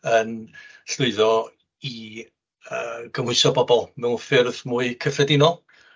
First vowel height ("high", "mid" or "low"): mid